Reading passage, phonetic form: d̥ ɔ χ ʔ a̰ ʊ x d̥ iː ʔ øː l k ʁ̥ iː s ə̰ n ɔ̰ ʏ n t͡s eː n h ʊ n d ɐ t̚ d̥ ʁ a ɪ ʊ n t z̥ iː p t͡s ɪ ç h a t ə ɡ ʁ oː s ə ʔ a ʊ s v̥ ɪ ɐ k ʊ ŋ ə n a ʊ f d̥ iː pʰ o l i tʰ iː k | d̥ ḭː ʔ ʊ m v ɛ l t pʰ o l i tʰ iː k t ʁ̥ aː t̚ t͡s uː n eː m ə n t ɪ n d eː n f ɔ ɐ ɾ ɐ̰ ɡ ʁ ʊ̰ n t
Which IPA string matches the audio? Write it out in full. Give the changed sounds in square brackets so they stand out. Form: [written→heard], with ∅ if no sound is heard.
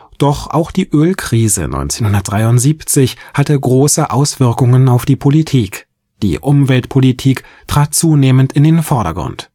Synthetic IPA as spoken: d̥ ɔ χ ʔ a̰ ʊ x d̥ iː ʔ øː l k ʁ̥ iː [s→z] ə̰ n ɔ̰ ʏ n t͡s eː n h ʊ n d ɐ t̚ d̥ ʁ a ɪ ʊ n t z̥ iː p t͡s ɪ ç h a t ə ɡ ʁ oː s ə ʔ a ʊ s v̥ ɪ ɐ k ʊ ŋ ə n a ʊ f d̥ iː pʰ o l i tʰ iː k | d̥ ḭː ʔ ʊ m v ɛ l t pʰ o l i tʰ iː k t ʁ̥ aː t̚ t͡s uː n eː m ə n t ɪ n d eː n f ɔ ɐ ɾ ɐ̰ ɡ ʁ ʊ̰ n t